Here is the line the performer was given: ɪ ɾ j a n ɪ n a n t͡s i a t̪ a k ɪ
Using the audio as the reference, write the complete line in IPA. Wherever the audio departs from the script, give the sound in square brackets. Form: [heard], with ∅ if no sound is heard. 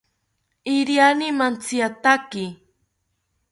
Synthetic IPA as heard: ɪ ɾ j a n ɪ [m] a n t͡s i a t̪ a k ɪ